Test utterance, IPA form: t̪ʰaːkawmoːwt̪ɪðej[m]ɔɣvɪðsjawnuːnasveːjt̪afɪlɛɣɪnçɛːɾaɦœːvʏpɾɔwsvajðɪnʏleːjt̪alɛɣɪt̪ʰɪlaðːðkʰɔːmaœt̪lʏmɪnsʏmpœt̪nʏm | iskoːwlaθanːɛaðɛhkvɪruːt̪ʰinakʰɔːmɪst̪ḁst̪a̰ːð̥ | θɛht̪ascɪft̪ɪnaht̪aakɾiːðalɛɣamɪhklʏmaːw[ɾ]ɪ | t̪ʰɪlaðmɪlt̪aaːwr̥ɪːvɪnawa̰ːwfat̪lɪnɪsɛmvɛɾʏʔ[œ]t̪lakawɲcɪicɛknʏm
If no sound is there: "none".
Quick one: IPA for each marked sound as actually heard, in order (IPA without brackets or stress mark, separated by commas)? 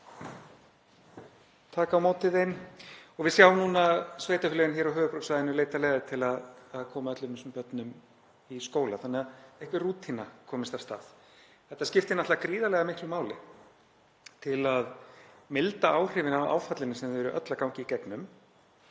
n, l, œ